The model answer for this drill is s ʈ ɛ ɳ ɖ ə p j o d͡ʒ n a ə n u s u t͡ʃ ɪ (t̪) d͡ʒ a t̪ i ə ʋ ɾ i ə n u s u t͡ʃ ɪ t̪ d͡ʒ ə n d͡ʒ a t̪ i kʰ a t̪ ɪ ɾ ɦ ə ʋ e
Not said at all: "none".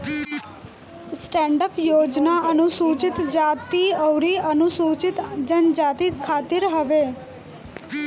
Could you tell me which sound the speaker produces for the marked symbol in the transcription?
t̪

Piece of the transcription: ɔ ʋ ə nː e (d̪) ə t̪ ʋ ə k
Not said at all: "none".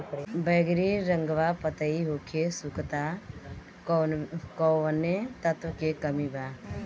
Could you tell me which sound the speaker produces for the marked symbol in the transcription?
t̪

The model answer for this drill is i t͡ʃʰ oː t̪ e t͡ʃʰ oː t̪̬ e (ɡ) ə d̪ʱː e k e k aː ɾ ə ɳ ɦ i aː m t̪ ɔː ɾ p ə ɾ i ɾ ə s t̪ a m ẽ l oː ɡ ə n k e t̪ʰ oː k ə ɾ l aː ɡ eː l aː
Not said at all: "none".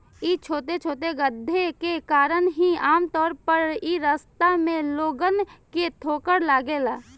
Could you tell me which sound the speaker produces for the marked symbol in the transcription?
ɡ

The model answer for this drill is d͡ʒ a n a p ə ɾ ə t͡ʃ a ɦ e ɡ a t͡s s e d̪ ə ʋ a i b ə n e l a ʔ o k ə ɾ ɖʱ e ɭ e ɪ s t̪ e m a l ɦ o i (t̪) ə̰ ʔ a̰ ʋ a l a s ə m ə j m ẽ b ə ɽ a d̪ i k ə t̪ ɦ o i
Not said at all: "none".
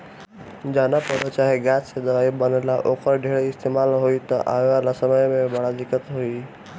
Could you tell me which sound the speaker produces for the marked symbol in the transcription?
t̪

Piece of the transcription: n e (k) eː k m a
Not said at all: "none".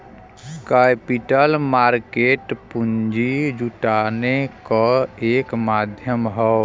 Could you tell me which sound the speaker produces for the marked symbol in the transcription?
k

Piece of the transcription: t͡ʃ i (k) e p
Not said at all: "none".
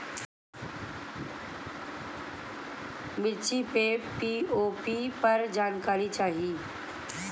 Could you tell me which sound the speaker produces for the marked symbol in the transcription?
p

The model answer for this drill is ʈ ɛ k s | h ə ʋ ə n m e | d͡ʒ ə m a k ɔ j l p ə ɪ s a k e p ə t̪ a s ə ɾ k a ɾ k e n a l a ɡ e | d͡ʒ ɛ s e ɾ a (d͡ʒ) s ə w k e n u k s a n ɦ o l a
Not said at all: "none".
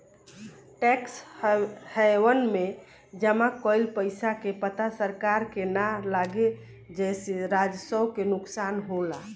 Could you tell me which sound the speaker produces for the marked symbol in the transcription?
d͡ʒ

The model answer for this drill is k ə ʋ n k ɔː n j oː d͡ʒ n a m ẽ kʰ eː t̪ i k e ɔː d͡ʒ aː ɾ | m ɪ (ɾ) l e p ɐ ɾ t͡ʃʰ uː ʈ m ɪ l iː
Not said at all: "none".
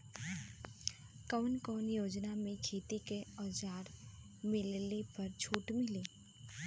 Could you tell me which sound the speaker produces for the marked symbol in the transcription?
l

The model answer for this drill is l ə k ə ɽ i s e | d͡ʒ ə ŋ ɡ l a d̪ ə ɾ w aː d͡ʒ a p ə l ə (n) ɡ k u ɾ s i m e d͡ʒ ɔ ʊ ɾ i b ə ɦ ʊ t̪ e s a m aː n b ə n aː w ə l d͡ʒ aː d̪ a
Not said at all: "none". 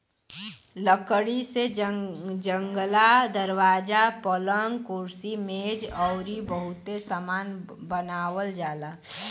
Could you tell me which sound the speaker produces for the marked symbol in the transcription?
ŋ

